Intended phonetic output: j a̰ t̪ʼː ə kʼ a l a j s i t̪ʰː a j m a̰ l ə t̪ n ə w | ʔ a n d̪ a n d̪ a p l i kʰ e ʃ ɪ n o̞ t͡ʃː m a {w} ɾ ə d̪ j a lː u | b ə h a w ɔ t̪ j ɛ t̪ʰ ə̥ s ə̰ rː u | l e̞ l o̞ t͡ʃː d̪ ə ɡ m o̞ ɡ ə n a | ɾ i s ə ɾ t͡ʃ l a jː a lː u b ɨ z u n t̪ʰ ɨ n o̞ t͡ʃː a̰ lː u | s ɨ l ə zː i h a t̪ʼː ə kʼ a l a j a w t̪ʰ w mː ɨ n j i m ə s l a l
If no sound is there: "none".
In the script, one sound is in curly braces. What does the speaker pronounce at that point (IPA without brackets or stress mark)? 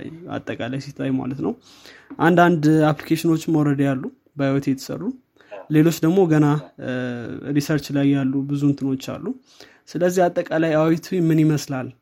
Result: w